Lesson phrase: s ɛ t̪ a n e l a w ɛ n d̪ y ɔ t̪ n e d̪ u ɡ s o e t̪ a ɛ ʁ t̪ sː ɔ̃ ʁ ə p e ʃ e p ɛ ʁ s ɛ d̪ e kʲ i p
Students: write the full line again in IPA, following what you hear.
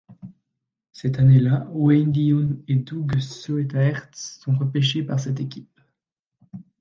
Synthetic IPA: s ɛ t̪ a n e l a w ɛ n d̪ i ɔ n e d̪ u ɡ s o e t̪ a ɛ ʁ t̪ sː ɔ̃ ʁ ə p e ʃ e p a ʁ s ɛ t̪ e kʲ i p